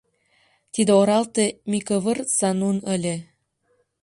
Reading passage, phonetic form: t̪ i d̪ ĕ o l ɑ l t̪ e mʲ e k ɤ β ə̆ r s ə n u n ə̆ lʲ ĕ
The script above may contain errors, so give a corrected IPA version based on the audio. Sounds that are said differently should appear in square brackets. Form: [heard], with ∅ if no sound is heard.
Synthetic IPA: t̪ i d̪ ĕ o [ɾ] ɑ l t̪ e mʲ [i] k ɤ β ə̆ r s [ɑ] n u n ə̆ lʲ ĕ